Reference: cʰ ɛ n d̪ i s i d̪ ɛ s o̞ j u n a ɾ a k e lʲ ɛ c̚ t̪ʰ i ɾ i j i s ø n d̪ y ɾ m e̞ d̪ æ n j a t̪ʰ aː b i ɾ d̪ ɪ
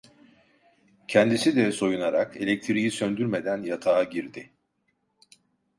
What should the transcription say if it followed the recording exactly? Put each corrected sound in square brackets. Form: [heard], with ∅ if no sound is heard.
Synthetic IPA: cʰ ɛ n d̪ i s i d̪ ɛ s o̞ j u n a ɾ a k e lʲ ɛ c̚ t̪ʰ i ɾ i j i s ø n d̪ y ɾ m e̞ d̪ æ n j a t̪ʰ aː [ɟ] i ɾ d̪ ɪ